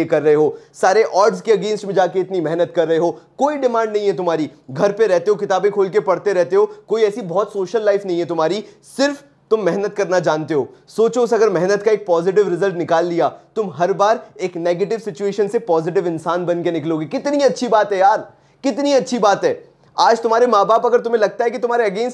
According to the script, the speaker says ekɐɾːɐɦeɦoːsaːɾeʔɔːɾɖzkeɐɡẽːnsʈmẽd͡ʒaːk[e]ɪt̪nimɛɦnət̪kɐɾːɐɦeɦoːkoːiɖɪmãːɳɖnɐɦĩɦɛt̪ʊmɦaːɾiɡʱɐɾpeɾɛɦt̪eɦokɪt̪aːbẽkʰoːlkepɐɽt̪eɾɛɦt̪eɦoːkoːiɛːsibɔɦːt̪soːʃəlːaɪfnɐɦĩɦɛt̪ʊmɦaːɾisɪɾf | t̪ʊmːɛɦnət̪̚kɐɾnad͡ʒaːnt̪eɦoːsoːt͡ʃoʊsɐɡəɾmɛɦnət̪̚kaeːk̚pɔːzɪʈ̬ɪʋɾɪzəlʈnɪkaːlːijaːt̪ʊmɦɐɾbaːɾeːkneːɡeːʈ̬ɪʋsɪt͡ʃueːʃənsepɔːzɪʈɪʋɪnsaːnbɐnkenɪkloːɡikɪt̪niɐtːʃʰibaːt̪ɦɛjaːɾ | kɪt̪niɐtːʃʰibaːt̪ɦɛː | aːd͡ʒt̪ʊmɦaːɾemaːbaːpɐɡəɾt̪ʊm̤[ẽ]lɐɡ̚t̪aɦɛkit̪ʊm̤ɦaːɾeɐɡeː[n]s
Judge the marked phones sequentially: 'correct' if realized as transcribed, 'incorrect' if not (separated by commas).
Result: correct, correct, correct